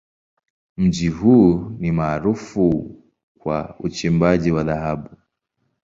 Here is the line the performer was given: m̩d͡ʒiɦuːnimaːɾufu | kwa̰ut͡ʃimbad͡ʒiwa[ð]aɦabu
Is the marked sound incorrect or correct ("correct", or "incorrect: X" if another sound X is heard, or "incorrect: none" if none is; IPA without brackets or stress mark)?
correct